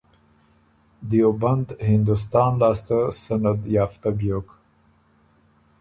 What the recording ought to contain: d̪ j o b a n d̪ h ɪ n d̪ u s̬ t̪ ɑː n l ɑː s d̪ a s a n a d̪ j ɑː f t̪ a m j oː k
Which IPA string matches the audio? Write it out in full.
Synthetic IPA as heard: d̪ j o b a n d̪ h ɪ n d̪ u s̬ t̪ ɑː n l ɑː s t̪ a s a n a d̪ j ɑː f t̪ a b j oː k